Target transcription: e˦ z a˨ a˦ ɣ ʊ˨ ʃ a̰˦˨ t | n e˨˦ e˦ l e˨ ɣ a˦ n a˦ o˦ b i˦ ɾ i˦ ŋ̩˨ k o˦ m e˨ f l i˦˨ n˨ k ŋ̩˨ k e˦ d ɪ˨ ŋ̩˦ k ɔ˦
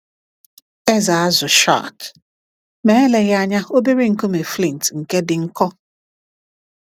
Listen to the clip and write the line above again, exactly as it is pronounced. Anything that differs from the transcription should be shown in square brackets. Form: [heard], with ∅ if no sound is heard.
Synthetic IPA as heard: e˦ z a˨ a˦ [z] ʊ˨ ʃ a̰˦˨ t | [m] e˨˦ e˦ l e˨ ɣ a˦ [ɲ] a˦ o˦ b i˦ ɾ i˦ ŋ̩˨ k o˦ m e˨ f l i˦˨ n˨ [t] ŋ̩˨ k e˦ d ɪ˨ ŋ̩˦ k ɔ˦